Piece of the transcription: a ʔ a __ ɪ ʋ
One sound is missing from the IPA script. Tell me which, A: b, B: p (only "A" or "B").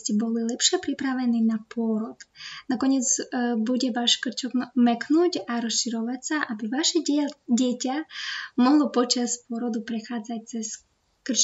A